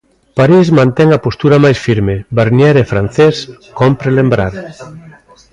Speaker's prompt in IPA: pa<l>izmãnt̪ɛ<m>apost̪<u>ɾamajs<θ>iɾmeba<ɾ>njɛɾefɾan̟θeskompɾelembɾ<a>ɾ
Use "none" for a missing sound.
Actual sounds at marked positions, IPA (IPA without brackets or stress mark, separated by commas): ɾ, ŋ, u, f, ɾ, a